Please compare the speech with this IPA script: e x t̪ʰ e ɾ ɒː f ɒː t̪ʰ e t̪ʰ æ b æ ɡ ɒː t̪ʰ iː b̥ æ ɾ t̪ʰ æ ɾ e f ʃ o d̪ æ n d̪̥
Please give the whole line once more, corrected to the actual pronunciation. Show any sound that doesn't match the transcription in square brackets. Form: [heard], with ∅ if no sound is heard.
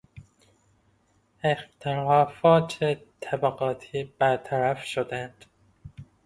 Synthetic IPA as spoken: e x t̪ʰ e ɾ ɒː f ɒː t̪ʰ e t̪ʰ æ b æ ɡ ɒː t̪ʰ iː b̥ æ ɾ t̪ʰ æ ɾ [æ] f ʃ o d̪ æ n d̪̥